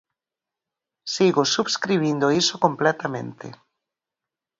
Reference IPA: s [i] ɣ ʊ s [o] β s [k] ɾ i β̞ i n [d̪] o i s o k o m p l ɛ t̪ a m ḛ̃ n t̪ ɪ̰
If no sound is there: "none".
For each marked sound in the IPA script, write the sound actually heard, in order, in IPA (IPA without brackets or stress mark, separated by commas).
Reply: i, u, k, d̪